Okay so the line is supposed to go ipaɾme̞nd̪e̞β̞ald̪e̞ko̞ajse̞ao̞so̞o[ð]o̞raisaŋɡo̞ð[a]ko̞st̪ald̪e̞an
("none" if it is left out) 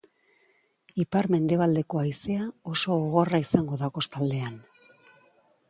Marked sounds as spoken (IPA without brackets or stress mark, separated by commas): ɣ, a